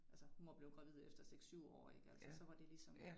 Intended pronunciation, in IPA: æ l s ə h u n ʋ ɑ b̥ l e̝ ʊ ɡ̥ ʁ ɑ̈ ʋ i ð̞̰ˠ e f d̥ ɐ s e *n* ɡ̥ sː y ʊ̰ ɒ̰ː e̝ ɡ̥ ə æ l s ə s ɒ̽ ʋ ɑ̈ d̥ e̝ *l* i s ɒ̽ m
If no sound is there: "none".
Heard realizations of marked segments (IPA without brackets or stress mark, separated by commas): none, l